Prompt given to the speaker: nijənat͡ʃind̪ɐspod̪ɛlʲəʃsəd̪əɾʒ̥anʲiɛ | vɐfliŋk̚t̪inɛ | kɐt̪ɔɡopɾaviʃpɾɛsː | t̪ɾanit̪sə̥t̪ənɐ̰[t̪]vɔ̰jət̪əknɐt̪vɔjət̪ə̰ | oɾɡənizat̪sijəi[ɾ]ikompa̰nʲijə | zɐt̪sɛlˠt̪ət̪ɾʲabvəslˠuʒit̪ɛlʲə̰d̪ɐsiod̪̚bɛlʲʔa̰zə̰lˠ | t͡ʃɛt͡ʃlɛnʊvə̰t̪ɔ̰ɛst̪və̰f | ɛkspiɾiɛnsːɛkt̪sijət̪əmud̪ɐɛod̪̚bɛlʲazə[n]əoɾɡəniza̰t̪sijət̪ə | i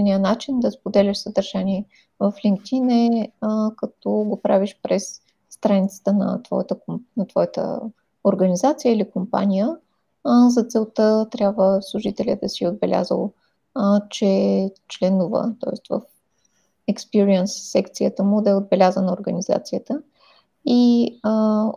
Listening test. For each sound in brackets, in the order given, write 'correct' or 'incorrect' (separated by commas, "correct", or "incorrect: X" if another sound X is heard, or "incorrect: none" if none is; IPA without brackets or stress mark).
correct, incorrect: l, correct